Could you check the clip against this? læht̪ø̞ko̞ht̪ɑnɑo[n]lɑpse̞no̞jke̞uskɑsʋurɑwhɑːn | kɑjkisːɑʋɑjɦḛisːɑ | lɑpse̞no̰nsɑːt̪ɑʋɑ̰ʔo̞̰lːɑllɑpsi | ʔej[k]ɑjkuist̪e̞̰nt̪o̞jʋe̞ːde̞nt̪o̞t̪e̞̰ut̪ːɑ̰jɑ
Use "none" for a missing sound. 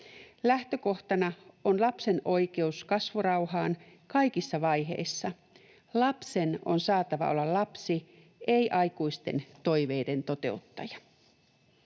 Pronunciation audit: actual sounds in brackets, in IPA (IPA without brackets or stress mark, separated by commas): n, ʔ